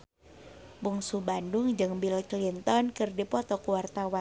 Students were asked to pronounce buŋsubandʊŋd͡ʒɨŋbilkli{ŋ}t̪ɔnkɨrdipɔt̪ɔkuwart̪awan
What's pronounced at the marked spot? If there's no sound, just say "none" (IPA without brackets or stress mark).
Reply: n